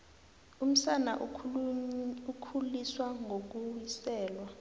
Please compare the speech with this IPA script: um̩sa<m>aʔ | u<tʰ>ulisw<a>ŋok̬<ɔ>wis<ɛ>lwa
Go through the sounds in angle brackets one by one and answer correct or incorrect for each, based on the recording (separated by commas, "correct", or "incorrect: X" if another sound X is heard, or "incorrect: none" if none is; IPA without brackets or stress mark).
incorrect: n, incorrect: kʰ, correct, incorrect: u, incorrect: ɛː